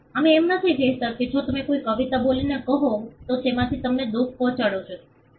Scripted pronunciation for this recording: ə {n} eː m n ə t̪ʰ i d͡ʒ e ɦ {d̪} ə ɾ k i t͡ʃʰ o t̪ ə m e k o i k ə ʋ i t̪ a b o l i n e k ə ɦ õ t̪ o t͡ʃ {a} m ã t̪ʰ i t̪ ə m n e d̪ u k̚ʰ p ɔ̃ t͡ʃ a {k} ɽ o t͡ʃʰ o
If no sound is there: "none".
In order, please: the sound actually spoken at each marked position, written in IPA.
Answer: m, t̪, e, none

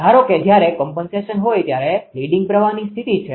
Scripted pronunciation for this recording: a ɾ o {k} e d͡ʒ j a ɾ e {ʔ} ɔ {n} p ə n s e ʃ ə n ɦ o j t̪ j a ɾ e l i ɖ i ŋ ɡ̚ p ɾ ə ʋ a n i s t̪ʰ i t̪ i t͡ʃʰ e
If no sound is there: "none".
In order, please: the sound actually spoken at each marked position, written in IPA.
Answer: k, k, m

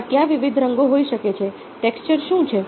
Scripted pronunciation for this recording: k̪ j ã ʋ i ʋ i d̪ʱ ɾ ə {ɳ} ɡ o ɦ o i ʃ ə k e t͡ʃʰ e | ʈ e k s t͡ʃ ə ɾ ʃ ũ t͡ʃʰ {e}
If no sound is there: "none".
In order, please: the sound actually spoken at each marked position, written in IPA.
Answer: ŋ, e

